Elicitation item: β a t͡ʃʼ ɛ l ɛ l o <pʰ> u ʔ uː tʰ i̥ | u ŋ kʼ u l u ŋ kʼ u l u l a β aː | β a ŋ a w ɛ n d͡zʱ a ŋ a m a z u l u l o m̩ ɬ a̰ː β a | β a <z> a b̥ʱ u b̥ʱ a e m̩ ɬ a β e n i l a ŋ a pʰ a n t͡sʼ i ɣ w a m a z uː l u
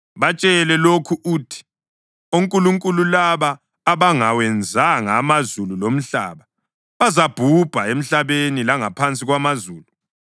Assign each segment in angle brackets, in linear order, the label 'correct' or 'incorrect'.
incorrect, correct

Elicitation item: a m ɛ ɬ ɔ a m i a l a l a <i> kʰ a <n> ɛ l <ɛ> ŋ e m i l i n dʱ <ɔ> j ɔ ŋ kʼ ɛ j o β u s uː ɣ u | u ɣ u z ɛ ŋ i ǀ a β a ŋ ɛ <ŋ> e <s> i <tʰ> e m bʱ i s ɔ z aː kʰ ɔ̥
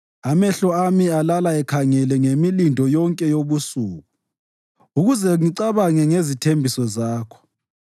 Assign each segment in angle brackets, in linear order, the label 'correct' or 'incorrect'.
incorrect, incorrect, correct, correct, correct, incorrect, correct

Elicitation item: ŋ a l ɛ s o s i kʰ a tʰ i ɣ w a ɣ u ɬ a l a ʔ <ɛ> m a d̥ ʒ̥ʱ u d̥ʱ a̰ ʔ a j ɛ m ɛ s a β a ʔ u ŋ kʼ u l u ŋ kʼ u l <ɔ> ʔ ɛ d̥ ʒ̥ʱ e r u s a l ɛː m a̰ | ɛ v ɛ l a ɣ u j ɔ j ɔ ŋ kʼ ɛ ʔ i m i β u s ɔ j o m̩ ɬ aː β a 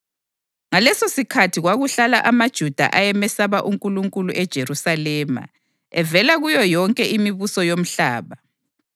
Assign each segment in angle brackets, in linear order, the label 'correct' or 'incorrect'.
incorrect, incorrect

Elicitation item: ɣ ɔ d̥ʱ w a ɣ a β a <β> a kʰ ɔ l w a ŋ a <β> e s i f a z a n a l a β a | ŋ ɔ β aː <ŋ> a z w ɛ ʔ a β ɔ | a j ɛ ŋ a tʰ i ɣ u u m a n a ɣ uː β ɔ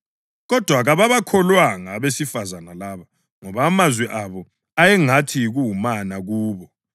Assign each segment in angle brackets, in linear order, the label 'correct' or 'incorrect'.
correct, correct, incorrect

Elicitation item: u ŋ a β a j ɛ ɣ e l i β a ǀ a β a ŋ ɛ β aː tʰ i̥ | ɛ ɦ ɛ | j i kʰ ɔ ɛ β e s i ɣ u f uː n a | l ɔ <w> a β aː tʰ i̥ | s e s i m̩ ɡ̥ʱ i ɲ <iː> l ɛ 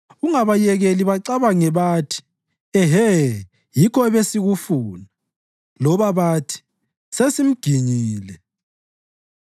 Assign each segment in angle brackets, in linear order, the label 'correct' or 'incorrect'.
incorrect, correct

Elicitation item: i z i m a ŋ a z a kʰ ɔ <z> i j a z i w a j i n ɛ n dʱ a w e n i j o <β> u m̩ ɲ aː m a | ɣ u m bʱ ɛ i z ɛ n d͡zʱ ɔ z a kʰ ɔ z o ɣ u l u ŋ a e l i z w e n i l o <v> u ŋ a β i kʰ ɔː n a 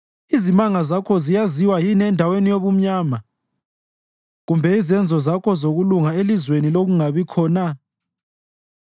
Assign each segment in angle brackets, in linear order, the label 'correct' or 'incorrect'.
correct, correct, incorrect

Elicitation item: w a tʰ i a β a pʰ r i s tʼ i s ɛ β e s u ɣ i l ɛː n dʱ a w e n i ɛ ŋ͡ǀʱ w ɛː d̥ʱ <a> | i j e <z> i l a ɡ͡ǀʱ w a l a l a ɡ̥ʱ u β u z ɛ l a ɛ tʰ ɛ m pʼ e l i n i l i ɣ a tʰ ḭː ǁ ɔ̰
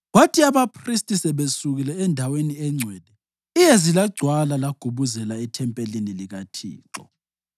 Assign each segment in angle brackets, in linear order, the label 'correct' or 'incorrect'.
incorrect, correct

